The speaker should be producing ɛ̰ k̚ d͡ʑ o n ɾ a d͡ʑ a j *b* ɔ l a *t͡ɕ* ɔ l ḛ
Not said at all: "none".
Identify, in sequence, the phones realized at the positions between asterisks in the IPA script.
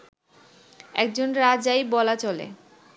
b, t͡ɕ

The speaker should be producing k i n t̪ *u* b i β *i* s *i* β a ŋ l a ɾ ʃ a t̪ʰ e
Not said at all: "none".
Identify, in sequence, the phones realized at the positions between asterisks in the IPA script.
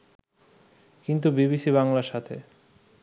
u, i, i

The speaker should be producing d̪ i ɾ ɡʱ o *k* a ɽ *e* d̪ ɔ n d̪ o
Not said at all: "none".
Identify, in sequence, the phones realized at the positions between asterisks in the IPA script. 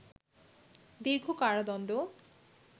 k, a

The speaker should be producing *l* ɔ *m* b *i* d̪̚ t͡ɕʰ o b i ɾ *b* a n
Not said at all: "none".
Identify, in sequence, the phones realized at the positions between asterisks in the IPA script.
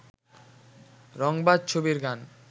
ɾ, ŋ, a, ɡ

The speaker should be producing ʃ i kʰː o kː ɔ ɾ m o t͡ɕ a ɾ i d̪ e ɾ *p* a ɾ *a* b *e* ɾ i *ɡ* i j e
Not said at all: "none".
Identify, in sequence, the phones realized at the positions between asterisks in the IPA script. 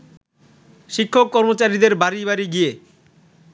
b, i, a, ɡ

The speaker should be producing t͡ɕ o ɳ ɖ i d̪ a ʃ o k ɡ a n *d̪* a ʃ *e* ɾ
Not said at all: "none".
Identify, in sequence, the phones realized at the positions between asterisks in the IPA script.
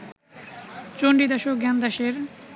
d̪, e

